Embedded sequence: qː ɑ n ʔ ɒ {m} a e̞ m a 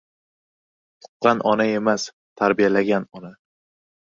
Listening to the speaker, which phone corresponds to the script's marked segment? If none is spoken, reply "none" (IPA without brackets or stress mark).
n